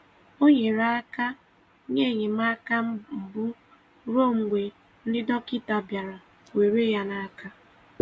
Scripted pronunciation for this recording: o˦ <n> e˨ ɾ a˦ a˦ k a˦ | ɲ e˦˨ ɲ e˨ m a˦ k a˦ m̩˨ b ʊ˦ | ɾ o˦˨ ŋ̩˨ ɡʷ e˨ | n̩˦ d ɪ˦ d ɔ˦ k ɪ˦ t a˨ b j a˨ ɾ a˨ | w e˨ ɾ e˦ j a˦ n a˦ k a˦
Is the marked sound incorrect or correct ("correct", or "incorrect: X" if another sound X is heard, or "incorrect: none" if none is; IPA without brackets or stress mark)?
incorrect: ɲ